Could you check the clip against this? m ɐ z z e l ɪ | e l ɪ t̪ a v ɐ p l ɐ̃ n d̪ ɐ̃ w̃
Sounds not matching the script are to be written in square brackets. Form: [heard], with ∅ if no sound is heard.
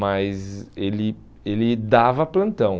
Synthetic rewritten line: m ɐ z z e l ɪ | e l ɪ [d̪] a v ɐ p l ɐ̃ n [t̪] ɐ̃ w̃